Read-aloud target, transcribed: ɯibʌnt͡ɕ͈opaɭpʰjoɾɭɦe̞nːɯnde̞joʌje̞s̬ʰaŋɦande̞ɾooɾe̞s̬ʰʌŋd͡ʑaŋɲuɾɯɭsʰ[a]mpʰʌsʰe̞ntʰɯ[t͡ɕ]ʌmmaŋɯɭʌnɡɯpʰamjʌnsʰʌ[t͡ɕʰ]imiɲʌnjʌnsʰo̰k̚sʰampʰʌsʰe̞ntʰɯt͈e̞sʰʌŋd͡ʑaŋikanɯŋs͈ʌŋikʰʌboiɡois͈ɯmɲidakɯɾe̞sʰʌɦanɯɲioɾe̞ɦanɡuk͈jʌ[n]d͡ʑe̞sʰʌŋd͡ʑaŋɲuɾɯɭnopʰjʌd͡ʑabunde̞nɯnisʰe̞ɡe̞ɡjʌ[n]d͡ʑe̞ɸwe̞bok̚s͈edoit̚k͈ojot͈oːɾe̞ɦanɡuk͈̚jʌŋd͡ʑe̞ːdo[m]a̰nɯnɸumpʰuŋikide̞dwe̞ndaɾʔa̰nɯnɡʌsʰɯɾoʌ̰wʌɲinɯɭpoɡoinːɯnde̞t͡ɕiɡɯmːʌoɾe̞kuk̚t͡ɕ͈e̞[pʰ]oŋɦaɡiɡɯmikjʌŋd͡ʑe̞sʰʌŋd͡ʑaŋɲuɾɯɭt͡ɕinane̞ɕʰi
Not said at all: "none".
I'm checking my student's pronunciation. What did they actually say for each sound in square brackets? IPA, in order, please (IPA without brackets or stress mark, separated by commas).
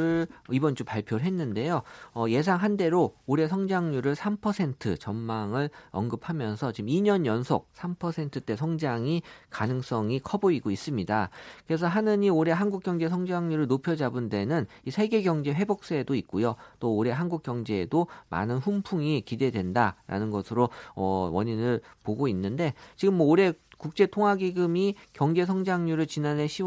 a, t͡ɕ, t͡ɕ, ŋ, ŋ, m, tʰ